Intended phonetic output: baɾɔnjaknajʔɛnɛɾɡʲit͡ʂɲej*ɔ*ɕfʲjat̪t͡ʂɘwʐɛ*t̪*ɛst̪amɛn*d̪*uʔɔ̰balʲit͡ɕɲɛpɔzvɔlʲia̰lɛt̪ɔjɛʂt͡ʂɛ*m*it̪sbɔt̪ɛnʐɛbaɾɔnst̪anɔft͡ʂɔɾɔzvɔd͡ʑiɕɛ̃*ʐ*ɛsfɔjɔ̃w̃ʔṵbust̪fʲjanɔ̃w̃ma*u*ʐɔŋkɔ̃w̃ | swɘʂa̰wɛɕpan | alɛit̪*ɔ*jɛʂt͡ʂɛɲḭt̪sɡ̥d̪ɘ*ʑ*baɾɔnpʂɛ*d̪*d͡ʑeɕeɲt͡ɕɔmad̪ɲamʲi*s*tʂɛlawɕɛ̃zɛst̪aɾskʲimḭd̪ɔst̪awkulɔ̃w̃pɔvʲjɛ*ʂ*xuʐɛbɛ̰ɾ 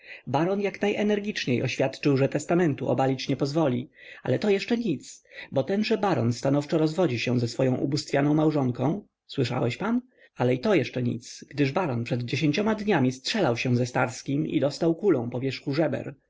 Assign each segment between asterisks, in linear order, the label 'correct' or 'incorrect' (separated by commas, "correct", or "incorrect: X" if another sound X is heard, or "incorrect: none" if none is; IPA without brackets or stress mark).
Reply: correct, correct, incorrect: t̪, incorrect: ɲ, incorrect: z, incorrect: w, correct, incorrect: ʐ, correct, correct, correct